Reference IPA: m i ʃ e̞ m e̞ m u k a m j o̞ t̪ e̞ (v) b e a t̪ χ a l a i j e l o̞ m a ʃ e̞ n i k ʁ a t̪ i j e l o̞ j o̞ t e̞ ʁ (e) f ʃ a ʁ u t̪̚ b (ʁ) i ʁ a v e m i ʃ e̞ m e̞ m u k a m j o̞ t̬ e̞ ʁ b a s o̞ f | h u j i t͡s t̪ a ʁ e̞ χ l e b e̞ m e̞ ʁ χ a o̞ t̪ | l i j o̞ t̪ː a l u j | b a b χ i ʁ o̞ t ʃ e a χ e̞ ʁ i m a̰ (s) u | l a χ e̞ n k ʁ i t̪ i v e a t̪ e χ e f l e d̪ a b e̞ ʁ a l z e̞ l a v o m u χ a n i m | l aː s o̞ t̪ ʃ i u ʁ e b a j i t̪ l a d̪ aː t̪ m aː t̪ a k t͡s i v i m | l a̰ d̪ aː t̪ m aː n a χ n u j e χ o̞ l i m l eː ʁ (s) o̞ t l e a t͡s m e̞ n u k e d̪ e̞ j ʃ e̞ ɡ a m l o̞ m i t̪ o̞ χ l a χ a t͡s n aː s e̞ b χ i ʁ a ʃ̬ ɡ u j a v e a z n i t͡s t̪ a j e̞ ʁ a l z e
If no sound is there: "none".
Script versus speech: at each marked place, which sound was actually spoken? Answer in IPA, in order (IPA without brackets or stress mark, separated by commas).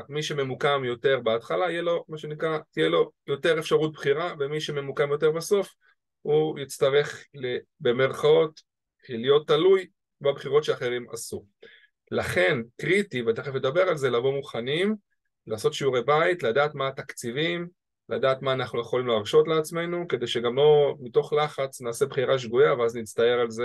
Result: ʁ, e, χ, s, ʃ